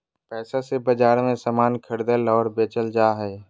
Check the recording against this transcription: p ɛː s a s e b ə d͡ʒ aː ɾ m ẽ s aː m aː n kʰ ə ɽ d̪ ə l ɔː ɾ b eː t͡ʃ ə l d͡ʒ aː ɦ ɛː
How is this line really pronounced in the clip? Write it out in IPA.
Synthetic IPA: p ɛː s a s e b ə d͡ʒ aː ɾ m ẽ s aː m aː n kʰ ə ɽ d̪ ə l ɔː ɾ b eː t͡ʃ ə l d͡ʒ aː ɦ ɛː